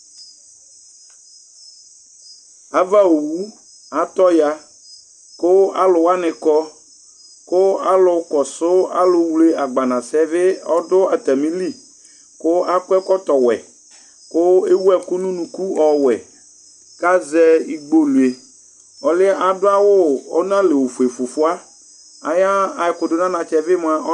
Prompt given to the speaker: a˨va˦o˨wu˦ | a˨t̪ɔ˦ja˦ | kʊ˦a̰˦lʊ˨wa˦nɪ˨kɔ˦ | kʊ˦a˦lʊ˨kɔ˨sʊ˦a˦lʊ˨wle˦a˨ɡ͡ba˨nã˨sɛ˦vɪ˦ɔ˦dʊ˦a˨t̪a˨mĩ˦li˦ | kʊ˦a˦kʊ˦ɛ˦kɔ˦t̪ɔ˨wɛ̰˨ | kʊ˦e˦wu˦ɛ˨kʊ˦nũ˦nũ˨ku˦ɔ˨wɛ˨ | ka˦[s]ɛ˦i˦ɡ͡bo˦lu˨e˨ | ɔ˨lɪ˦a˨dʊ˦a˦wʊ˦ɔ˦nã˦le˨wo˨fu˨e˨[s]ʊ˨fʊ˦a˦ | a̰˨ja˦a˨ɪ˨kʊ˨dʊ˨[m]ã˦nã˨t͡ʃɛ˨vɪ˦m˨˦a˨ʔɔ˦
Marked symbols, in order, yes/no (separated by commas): no, no, no